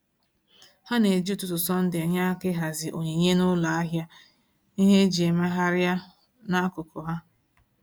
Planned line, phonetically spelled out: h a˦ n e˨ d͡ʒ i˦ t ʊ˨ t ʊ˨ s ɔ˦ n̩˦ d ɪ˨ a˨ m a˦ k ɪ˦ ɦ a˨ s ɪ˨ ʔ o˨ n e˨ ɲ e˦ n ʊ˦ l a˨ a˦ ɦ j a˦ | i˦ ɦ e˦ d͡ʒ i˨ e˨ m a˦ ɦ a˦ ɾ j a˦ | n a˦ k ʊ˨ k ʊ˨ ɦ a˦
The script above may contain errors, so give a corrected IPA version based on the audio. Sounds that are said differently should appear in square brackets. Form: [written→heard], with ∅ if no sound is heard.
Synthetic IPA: h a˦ n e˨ d͡ʒ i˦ t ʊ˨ t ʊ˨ s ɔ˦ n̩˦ d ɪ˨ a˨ [m→ɲ] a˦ k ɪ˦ ɦ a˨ [s→z] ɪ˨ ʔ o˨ [n→ɲ] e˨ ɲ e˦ n ʊ˦ l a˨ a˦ ɦ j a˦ | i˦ ɦ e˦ d͡ʒ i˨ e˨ m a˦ ɦ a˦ ɾ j a˦ | n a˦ k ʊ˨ k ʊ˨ ɦ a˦